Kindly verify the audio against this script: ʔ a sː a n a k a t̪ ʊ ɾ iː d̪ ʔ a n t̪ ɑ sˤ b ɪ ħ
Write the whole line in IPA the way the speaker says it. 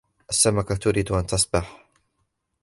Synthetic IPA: ʔ a sː a m a k a t̪ ʊ ɾ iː d̪ ʔ a n t̪ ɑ sˤ b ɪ ħ